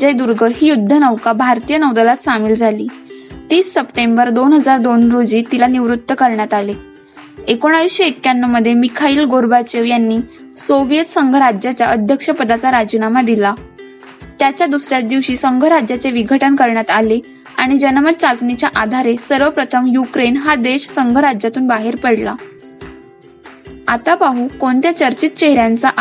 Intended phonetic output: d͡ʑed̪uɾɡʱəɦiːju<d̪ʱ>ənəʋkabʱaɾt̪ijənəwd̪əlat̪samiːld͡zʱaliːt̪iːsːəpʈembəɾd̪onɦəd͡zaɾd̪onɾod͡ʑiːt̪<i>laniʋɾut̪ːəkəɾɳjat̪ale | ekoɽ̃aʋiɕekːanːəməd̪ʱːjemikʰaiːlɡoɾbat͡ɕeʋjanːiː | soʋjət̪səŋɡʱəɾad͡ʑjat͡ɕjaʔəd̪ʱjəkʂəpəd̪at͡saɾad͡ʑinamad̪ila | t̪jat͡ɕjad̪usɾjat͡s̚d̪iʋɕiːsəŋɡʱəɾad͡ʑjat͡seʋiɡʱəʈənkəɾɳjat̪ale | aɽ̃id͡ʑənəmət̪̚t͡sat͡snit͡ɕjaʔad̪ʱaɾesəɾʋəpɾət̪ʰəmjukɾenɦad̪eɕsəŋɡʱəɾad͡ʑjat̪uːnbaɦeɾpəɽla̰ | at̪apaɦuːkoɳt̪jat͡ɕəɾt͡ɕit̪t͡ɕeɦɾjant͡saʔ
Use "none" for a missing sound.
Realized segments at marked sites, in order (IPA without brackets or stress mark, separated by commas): d̪ʱː, i